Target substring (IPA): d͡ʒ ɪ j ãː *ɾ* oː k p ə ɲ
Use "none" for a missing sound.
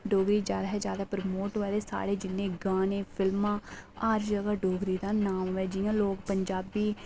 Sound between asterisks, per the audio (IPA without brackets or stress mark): l